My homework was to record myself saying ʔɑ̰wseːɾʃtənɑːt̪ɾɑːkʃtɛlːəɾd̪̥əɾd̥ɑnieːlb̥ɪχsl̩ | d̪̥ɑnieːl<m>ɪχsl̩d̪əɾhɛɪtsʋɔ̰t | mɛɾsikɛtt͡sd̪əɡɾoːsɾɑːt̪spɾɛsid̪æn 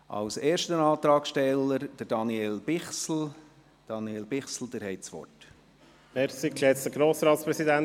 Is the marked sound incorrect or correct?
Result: incorrect